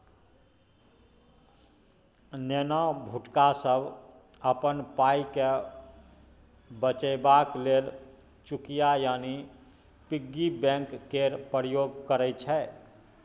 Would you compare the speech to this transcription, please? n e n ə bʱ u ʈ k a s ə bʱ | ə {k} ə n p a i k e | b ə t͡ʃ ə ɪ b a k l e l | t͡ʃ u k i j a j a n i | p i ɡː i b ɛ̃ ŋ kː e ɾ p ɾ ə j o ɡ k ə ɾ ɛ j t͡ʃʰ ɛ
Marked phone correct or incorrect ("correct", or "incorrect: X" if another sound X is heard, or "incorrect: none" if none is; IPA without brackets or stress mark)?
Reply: incorrect: p